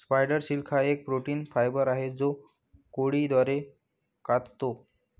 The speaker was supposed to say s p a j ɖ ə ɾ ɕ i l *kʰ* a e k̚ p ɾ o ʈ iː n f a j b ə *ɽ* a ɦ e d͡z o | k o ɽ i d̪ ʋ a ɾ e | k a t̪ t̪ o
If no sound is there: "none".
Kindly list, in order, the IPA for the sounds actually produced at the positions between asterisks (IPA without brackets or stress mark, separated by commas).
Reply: kʰ, ɾ